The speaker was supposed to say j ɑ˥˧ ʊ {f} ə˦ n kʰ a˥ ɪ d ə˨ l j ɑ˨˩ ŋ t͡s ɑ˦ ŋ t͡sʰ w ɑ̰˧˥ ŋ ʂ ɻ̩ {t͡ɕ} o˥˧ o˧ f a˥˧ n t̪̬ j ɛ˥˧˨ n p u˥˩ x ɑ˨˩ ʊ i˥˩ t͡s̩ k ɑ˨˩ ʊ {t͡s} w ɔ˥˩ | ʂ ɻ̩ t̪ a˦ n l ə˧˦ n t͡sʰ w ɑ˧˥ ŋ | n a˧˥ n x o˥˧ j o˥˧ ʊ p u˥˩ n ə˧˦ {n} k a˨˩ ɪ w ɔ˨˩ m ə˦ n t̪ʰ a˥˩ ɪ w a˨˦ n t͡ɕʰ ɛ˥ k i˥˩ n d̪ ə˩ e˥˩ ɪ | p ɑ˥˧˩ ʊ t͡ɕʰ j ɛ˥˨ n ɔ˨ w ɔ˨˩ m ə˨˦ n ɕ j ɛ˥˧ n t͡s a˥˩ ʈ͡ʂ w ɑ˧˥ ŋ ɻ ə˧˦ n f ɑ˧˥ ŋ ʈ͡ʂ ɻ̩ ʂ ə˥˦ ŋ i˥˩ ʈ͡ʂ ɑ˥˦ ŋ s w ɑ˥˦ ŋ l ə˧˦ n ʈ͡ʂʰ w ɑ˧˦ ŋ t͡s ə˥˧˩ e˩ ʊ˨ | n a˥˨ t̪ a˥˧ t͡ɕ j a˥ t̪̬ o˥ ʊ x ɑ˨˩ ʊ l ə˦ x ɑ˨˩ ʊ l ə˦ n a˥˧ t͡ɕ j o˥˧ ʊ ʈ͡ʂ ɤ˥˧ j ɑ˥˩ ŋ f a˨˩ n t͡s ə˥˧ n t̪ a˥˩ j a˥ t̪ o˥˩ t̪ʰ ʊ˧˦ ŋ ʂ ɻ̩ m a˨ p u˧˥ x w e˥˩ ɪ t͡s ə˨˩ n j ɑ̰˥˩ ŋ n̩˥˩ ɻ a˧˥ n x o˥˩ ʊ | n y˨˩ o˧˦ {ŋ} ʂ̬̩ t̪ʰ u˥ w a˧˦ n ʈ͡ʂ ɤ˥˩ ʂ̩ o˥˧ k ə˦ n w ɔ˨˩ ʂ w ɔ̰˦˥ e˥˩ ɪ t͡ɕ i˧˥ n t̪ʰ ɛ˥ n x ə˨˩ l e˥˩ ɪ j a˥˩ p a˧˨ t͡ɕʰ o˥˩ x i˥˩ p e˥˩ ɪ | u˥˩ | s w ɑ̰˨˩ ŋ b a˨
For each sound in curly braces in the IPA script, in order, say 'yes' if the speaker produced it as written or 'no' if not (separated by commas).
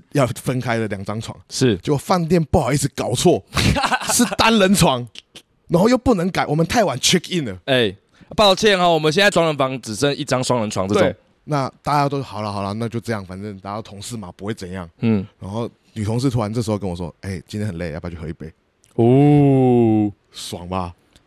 yes, yes, no, no, yes